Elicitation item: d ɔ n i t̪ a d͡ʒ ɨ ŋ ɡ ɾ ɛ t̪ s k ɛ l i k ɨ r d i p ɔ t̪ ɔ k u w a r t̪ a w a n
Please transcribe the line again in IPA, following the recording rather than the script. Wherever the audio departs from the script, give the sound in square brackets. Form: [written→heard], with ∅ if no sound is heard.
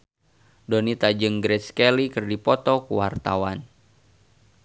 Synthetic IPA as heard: d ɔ n i t̪ a d͡ʒ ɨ ŋ ɡ ɾ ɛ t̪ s k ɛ l i k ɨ r d i p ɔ t̪ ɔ k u w a r t̪ a w a n

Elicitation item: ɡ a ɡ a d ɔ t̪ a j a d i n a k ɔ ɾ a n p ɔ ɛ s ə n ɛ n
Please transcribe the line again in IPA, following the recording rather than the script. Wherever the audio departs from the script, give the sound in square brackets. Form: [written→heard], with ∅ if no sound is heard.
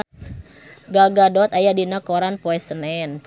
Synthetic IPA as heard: ɡ a ɡ a d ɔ t̪ a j a d i n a k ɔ ɾ a n p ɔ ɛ s ə n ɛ n

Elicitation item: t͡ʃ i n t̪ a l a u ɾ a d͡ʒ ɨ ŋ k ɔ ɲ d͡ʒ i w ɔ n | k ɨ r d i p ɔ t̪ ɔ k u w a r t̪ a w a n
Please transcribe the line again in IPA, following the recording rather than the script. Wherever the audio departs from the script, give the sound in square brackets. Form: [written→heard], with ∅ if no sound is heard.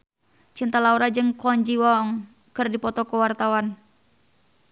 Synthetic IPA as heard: t͡ʃ i n t̪ a l a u ɾ a d͡ʒ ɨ ŋ k ɔ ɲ d͡ʒ i w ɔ [n→ŋ] | k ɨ r d i p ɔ t̪ ɔ k u w a r t̪ a w a n

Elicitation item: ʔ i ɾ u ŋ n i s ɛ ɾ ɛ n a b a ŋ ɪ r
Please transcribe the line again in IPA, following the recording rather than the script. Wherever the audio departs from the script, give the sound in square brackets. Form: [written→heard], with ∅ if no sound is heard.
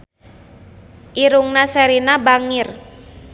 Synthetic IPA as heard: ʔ i ɾ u ŋ n [i→a] s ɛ ɾ [ɛ→i] n a b a ŋ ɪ r

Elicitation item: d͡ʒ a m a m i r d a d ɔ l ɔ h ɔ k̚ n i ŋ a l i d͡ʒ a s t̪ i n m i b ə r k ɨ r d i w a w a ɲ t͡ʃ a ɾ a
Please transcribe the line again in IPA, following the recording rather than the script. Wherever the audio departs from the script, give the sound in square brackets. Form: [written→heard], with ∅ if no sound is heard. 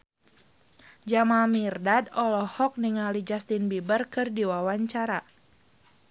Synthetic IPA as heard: d͡ʒ a m a m i r d a d ɔ l ɔ h ɔ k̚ n i ŋ a l i d͡ʒ a s t̪ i n [m→b] i b ə r k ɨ r d i w a w a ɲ t͡ʃ a ɾ a

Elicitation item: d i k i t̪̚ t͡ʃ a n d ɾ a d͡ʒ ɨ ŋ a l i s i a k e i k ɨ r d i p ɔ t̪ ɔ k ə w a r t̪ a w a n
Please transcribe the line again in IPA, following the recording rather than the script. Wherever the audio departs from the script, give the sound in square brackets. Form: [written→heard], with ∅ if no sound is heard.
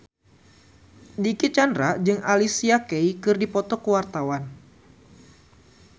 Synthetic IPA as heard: d i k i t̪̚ t͡ʃ a n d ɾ a d͡ʒ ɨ ŋ a l i s i a k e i k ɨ r d i p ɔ t̪ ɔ k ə w a r t̪ a w a n

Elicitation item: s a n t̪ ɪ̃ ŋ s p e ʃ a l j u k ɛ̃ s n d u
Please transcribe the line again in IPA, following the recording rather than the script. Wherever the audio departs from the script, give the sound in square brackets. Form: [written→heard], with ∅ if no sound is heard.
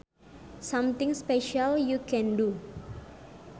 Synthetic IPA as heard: s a [n→m] t̪ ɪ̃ ŋ s p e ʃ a l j u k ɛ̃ [s→∅] n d u

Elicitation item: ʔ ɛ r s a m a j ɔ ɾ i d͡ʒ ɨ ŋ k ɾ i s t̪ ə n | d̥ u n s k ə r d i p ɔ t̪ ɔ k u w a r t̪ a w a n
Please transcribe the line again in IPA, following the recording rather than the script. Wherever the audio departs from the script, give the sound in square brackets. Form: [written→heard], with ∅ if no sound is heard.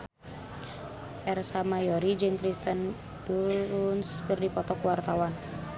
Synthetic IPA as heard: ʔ ɛ r s a m a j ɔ ɾ i d͡ʒ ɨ ŋ k ɾ i s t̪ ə n | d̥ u n s k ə r d i p ɔ t̪ ɔ k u w a r t̪ a w a n

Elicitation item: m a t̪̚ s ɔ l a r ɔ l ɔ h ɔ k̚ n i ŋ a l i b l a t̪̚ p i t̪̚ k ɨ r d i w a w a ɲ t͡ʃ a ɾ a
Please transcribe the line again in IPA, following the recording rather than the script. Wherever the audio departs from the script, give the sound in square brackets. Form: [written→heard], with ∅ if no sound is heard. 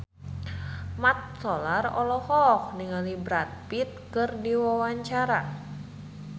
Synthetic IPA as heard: m a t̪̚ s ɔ l a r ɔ l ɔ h ɔ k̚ n i ŋ a l i b [l→ɾ] a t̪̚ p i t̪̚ k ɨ r d i w a w a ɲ t͡ʃ a ɾ a

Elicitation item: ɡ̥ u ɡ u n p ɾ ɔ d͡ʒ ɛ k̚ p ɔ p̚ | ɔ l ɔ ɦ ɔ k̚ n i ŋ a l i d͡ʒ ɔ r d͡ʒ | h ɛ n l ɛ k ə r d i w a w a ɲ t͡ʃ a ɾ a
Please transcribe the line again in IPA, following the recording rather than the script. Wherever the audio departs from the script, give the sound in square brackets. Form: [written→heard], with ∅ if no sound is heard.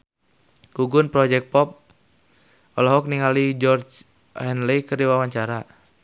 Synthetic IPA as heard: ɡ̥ u ɡ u n p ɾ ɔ d͡ʒ ɛ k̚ p ɔ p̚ | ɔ l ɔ ɦ ɔ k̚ n i ŋ a l i d͡ʒ ɔ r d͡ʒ | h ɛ n l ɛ k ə r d i w a w a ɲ t͡ʃ a ɾ a

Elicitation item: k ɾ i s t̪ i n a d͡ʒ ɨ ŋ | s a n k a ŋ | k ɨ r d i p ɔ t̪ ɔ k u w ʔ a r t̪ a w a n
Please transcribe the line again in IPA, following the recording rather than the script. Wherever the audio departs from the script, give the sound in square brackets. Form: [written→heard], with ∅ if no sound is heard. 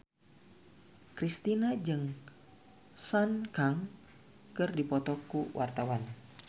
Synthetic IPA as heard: k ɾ i s t̪ i n a d͡ʒ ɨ ŋ | s a n k a ŋ | k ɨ r d i p ɔ t̪ ɔ k u w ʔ a r t̪ a w a n

